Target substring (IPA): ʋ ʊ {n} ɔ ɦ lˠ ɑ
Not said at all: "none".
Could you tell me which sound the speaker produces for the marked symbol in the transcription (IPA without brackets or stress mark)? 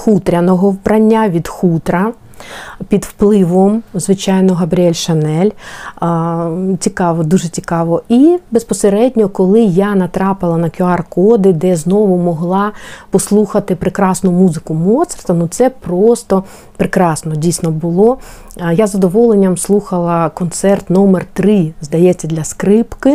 m